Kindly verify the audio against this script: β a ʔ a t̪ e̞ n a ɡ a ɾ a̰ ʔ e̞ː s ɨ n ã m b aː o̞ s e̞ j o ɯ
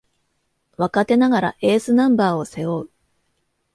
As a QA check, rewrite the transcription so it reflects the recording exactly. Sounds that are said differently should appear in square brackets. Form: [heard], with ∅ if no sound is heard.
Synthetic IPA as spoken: β a [k] a t̪ e̞ n a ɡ a ɾ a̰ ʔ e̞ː s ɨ n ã m b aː o̞ s e̞ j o ɯ